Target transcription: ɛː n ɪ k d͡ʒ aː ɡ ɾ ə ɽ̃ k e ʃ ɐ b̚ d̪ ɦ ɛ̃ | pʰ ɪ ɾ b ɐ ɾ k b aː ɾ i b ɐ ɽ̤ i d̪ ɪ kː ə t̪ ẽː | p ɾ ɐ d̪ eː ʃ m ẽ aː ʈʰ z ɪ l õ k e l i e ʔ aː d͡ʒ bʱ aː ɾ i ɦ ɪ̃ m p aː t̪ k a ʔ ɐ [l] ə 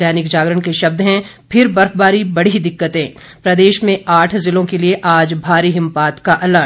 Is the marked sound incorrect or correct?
correct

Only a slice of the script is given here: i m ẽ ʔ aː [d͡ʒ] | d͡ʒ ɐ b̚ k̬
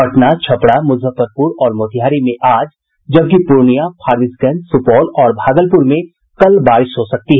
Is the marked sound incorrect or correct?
correct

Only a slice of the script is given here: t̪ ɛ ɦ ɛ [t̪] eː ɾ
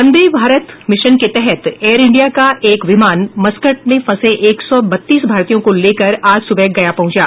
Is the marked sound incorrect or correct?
correct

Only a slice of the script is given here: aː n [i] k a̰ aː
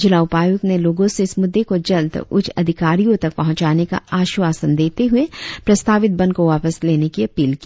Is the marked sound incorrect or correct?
incorrect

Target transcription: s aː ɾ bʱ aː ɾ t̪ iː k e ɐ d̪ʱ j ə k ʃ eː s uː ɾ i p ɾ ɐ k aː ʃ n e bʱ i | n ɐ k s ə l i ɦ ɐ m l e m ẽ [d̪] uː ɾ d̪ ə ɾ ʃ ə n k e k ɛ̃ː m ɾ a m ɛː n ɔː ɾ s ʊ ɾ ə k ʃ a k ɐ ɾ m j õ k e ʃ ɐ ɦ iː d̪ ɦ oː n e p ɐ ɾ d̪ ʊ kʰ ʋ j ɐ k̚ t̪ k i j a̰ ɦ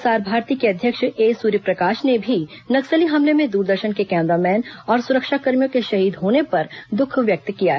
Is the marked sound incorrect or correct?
correct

